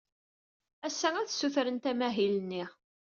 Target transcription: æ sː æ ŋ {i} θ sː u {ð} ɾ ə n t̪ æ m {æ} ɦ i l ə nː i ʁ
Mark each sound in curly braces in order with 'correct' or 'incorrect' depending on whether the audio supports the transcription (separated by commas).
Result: incorrect, incorrect, correct